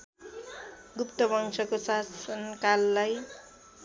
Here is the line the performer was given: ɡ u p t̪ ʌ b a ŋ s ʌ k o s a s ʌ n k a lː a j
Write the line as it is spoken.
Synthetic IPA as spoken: ɡ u p t̪ ʌ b ʌ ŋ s ʌ k o s a s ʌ n k a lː a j